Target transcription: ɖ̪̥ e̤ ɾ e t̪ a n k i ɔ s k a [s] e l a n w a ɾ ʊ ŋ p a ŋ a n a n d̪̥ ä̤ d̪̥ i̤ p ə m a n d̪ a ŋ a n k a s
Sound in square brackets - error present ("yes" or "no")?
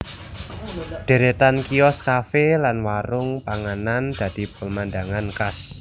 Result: yes